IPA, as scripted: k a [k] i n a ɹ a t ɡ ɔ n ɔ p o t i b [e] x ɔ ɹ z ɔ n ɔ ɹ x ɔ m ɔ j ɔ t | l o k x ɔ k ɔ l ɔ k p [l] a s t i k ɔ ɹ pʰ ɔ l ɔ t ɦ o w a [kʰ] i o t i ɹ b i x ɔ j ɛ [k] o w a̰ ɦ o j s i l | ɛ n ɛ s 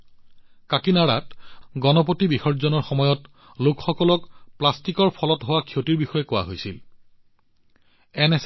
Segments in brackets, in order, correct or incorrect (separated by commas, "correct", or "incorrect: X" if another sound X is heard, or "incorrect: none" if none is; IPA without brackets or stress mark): correct, incorrect: i, correct, correct, correct